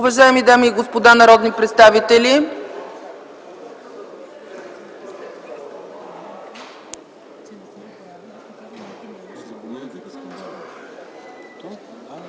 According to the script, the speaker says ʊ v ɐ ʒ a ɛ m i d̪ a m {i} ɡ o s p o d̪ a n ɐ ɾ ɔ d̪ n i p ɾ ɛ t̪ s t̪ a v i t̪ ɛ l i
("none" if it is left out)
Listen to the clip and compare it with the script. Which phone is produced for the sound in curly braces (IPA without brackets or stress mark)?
iː